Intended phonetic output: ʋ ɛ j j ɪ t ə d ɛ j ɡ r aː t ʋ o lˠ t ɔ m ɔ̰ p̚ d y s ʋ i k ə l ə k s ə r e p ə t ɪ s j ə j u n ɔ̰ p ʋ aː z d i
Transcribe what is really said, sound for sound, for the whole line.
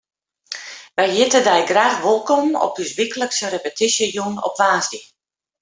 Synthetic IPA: ʋ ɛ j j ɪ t ə d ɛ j ɡ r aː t ʋ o lˠ k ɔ m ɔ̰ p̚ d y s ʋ i k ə l ə k s ə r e p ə t i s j ə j u n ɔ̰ p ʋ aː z d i